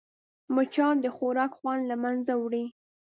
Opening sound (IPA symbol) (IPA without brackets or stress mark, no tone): m